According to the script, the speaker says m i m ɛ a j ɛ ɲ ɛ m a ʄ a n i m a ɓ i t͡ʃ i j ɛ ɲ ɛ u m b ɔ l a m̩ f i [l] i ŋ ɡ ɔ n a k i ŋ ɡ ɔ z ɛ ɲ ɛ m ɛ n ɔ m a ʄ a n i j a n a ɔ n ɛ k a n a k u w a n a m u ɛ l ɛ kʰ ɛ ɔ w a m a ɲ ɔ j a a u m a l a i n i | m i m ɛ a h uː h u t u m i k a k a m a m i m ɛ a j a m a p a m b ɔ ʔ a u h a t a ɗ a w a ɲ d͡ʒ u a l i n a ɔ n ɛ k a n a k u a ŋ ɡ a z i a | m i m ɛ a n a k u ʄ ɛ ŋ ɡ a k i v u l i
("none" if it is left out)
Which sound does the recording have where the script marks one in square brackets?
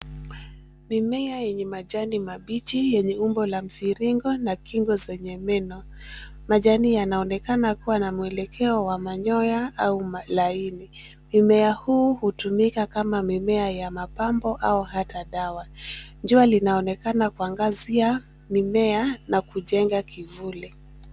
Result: ɾ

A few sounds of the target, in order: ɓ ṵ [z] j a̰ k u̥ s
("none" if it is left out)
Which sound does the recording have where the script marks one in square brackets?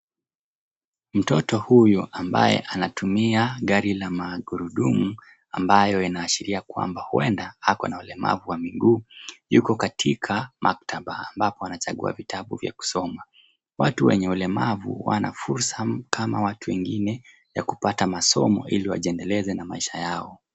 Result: v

